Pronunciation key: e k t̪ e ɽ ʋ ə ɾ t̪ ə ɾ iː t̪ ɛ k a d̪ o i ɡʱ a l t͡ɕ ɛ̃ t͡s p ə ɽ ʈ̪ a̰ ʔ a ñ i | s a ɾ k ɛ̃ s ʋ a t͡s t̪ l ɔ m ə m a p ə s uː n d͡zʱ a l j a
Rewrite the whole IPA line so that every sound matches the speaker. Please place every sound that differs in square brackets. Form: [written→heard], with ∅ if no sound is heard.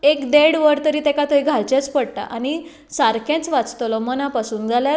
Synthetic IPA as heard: e k [t̪→d̪] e ɽ ʋ ə ɾ t̪ ə ɾ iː t̪ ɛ k a [d̪→t̪] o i ɡʱ a l t͡ɕ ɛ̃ t͡s p ə ɽ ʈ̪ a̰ ʔ a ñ i | s a ɾ k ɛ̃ [s→t͡s] ʋ a t͡s t̪ l ɔ m ə [m→n] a p [ə→a] s uː n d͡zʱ a l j a